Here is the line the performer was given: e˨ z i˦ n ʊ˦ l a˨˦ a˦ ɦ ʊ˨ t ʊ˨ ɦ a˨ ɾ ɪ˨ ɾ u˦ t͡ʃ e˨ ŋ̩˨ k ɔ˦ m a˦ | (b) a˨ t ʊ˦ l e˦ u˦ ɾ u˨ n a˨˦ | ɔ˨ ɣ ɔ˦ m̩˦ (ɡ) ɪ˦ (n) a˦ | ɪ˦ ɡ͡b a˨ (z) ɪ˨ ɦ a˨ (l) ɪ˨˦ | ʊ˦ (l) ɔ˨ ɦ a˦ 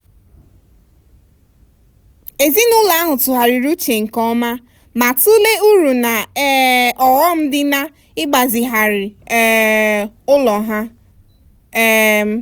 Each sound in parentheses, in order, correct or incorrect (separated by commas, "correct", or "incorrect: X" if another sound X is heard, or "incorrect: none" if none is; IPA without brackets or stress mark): incorrect: m, incorrect: d, correct, correct, incorrect: ɾ, correct